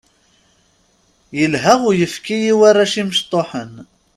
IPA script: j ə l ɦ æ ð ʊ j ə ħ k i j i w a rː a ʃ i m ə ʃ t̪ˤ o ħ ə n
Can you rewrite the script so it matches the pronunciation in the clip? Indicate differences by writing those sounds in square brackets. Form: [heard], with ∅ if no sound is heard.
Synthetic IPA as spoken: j ə l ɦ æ [ʁ] ʊ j ə [f] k i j i w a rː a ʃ i m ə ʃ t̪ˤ o ħ ə n